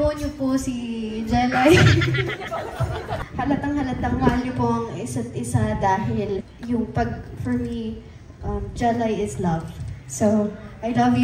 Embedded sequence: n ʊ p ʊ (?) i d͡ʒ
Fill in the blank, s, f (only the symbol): s